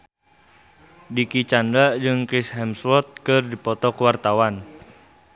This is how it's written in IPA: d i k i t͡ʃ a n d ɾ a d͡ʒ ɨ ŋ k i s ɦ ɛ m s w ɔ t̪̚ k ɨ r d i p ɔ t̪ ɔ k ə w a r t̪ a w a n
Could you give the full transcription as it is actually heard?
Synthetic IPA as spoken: d i k i t͡ʃ a n d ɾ a d͡ʒ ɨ ŋ k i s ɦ ɛ m s w ɔ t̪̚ k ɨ r d i p ɔ t̪ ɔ k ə w a r t̪ a w a n